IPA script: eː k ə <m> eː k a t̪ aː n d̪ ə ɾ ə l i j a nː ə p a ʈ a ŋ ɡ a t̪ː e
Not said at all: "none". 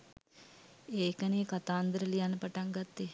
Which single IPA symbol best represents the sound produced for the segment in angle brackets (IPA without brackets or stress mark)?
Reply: n